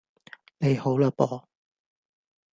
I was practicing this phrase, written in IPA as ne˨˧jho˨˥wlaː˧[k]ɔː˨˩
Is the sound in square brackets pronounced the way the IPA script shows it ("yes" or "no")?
no